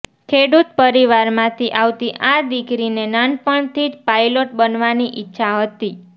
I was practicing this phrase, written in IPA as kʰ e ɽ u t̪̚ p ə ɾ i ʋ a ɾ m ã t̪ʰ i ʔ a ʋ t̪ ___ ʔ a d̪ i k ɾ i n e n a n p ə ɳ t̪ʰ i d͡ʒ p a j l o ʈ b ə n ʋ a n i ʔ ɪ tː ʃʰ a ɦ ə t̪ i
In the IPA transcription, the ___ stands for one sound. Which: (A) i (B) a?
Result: A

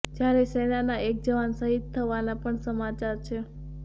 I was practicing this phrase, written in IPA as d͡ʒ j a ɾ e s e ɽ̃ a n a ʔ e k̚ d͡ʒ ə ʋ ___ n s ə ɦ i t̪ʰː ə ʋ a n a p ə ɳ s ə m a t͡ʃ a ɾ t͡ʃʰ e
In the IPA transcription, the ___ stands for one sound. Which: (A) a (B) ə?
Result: A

